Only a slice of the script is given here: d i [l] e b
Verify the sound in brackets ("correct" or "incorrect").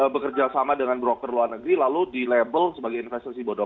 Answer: correct